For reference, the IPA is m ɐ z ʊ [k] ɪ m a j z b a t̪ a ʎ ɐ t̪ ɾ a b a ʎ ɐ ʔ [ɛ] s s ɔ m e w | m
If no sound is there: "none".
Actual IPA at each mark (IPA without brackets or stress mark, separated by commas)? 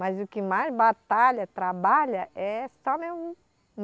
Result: k, ɛ